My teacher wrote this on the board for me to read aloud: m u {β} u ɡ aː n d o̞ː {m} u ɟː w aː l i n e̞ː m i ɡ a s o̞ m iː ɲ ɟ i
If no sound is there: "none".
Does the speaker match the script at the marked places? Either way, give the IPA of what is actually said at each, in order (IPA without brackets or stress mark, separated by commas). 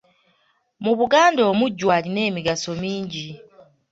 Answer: β, m